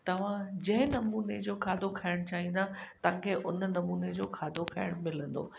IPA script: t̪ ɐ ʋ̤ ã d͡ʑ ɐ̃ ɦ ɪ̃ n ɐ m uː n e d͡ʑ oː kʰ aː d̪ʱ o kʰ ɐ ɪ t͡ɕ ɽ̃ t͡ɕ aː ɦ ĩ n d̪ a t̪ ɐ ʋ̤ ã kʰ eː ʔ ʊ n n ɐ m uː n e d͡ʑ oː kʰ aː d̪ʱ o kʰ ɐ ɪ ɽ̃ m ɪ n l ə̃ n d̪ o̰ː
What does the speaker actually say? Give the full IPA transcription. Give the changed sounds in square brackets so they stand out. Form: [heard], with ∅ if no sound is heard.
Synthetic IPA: t̪ ɐ ʋ̤ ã d͡ʑ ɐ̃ ɦ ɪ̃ n ɐ m uː n e d͡ʑ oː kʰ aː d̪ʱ o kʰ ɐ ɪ [∅] ɽ̃ t͡ɕ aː ɦ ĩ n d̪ a t̪ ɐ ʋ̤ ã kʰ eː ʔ ʊ n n ɐ m uː n e d͡ʑ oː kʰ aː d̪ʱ o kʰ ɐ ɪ ɽ̃ m ɪ [∅] l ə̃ n d̪ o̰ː